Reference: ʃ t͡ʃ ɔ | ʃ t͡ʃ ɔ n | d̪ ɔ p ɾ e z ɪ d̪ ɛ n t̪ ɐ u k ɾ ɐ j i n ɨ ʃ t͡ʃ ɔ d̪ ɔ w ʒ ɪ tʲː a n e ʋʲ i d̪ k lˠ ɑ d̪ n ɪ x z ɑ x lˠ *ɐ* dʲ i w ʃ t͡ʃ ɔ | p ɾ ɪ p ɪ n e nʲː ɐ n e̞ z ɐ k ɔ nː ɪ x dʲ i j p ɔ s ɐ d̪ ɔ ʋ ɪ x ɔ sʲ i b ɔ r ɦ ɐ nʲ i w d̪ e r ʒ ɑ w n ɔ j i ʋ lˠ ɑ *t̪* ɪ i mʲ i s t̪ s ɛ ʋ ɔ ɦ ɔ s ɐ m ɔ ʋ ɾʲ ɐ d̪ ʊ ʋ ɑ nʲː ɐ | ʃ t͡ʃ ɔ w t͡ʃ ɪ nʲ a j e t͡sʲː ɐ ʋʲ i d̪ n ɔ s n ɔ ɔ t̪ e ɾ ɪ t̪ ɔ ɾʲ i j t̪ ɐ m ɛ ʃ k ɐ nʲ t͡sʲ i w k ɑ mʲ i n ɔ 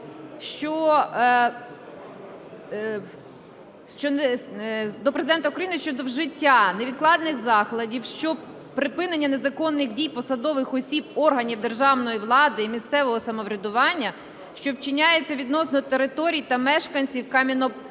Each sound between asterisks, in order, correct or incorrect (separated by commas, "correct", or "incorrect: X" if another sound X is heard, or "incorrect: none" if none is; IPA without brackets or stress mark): correct, incorrect: d̪